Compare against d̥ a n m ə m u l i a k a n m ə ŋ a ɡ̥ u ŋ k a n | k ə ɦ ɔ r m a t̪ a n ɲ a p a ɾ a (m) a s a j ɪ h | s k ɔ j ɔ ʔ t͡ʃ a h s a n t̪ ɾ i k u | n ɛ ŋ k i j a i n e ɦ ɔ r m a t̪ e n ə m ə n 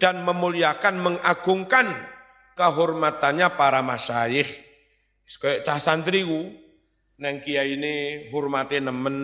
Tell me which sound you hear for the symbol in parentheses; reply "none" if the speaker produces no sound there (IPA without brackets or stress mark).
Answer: m